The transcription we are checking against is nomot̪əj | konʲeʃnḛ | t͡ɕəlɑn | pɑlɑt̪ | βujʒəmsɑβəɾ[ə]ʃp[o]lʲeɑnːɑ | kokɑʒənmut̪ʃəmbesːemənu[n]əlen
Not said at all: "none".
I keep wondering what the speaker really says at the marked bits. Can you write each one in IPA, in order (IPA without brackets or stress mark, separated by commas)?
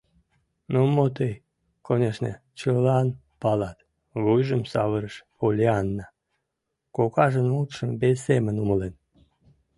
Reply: ə, o, m